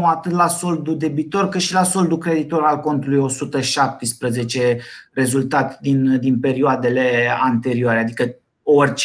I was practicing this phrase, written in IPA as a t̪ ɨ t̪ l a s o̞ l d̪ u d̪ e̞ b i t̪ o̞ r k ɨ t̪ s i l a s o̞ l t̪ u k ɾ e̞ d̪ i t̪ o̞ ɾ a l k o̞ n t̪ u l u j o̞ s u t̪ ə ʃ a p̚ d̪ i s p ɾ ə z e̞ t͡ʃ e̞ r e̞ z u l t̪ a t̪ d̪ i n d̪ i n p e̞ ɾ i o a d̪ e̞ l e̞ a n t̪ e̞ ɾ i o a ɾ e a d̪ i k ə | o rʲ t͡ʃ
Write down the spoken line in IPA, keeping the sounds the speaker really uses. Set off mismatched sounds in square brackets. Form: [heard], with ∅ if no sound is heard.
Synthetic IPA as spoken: a t̪ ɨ t̪ l a s o̞ l d̪ u d̪ e̞ b i t̪ o̞ r k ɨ t̪ [ʃ] i l a s o̞ l [d̪] u k ɾ e̞ d̪ i t̪ o̞ ɾ a l k o̞ n t̪ u l u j o̞ s u t̪ ə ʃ a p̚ [t̪] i s p ɾ ə z e̞ t͡ʃ e̞ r e̞ z u l t̪ a t̪ d̪ i n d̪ i n p e̞ ɾ i o a d̪ e̞ l e̞ a n t̪ e̞ ɾ i o a ɾ e a d̪ i k ə | o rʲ t͡ʃ